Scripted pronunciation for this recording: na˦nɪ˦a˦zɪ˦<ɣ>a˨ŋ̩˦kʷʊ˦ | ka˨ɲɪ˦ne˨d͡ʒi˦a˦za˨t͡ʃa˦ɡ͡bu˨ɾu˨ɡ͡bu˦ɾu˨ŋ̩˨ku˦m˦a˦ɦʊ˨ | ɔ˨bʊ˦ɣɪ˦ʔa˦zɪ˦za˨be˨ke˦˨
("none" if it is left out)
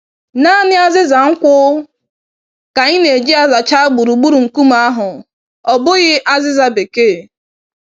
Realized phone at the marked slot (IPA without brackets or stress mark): z